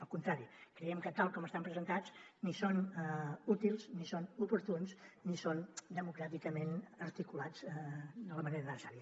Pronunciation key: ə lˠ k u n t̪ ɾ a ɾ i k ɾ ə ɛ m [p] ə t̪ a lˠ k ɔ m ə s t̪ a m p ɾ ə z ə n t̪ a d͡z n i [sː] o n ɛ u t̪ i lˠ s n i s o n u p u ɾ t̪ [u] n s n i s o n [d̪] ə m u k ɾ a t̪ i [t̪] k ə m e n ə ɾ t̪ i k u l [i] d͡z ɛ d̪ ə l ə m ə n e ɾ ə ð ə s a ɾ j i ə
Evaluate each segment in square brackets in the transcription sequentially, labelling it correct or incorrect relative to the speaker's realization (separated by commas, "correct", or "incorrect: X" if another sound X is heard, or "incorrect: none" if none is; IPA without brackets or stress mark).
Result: incorrect: k, incorrect: s, correct, correct, incorrect: none, incorrect: a